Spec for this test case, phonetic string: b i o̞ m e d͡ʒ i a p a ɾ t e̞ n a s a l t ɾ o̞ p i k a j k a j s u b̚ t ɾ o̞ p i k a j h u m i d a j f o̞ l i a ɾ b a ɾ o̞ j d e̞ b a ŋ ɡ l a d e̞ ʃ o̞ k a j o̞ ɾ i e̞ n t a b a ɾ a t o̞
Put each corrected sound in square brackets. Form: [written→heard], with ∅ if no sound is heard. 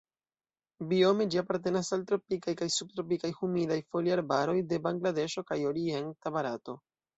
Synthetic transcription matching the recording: b i o̞ m e d͡ʒ i a p a ɾ t e̞ n a s a l t ɾ o̞ p i k a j k a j s u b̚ t ɾ o̞ p i k a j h u m i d a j f o̞ l i a ɾ b a ɾ o̞ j d e̞ b a ŋ ɡ l a d e̞ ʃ o̞ k a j o̞ ɾ i e̞ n t a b a ɾ a t o̞